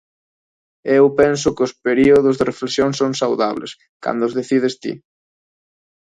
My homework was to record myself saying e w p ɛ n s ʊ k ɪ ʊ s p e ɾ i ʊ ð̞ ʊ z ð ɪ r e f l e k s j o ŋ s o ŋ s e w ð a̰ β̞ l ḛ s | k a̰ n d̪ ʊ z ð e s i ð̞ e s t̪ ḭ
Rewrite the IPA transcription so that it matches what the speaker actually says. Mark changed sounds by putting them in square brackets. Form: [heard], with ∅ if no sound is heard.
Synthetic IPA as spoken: e w p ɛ n s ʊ k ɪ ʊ s p e ɾ i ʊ ð̞ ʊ z ð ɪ r e f l e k s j o ŋ s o ŋ s [a] w ð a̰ β̞ l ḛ s | k a̰ n d̪ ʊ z ð e [θ] i ð̞ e s t̪ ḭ